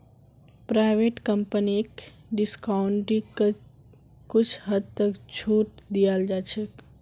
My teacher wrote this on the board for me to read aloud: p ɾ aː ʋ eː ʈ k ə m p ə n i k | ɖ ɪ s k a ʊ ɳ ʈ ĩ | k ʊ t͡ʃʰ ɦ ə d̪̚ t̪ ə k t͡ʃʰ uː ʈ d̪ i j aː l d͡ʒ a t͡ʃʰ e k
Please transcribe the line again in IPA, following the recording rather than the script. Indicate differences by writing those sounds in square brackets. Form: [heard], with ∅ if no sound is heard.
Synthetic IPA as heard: p ɾ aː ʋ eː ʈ k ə m p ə n i k | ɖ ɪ s k a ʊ ɳ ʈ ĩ | k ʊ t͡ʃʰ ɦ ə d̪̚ t̪ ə k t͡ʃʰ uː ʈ d̪ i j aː l d͡ʒ a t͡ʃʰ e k